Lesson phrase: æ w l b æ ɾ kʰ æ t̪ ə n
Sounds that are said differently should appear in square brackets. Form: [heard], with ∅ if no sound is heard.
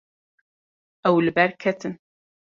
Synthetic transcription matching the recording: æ w l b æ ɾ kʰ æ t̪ ə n